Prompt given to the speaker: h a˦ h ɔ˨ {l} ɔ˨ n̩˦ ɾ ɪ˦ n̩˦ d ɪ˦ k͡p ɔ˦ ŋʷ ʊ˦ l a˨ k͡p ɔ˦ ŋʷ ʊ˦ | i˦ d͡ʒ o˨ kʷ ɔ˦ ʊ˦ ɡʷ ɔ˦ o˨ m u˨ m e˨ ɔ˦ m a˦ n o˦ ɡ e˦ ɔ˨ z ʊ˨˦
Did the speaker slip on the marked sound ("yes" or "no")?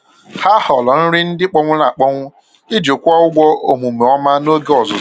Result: no